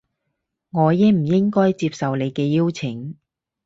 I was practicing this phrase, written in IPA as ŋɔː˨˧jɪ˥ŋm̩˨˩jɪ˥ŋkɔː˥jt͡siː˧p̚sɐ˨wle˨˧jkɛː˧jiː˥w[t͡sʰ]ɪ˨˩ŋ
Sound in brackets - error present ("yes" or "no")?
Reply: no